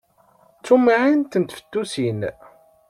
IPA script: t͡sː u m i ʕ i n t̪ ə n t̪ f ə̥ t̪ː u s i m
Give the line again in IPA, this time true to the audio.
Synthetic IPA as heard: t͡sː u m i ʕ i n t̪ ə n t̪ f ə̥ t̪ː u s i n